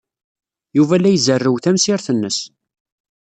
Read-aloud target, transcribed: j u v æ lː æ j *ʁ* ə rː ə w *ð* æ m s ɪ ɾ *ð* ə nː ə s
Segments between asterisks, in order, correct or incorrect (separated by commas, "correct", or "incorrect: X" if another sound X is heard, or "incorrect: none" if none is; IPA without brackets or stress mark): incorrect: z, incorrect: θ, incorrect: θ